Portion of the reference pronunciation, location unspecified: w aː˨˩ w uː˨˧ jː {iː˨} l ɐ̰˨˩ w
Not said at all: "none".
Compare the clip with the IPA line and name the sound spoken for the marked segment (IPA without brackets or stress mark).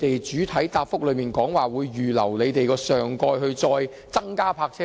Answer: yː˨